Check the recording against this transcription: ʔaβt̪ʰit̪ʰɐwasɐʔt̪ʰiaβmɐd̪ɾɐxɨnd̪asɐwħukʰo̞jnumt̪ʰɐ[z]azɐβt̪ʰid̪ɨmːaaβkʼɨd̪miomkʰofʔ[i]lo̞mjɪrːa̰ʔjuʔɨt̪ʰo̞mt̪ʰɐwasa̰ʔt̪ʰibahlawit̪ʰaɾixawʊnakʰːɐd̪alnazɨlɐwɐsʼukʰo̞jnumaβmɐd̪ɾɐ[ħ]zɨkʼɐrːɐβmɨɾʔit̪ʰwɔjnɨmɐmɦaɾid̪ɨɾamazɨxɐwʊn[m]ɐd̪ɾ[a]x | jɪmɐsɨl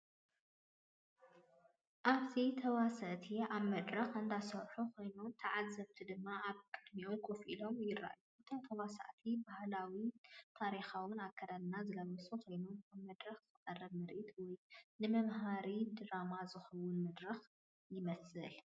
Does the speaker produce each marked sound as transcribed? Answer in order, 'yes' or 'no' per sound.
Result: no, yes, no, yes, no

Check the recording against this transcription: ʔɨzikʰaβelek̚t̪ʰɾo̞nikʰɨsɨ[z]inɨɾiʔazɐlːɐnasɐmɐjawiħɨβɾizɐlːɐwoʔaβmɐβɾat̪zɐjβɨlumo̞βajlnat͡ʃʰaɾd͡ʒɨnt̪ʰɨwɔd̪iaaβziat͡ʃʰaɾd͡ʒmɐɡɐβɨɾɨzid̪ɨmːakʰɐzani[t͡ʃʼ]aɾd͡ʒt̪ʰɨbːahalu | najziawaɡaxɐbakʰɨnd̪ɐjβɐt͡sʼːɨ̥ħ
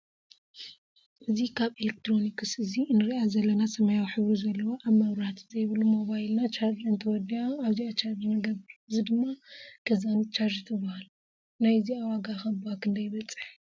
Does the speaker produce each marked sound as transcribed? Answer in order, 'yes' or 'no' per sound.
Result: yes, no

